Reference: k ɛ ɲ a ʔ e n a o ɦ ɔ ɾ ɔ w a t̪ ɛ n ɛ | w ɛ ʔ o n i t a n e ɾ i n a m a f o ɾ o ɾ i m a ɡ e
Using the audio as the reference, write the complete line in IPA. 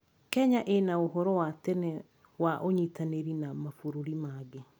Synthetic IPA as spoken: k ɛ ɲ a ʔ e n a o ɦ ɔ ɾ ɔ w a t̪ ɛ n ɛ | w a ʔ o ɲ i t a n e ɾ i n a m a f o ɾ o ɾ i m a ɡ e